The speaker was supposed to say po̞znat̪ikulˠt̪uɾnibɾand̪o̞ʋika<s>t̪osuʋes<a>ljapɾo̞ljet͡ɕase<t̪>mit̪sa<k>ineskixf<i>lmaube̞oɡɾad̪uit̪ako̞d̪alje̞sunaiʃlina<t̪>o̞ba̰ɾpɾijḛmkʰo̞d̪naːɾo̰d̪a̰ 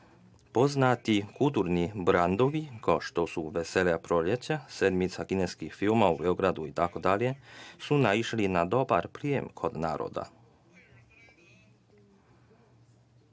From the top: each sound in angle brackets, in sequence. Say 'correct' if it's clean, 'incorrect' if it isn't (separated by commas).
incorrect, incorrect, incorrect, correct, correct, incorrect